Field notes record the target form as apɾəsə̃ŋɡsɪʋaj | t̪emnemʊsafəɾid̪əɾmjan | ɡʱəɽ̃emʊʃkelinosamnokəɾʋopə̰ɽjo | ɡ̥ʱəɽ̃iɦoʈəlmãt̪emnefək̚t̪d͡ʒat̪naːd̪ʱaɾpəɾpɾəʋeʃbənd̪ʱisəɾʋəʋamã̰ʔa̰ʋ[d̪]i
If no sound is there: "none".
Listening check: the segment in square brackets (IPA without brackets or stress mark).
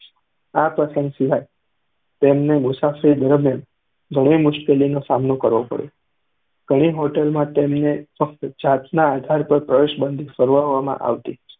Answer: t̪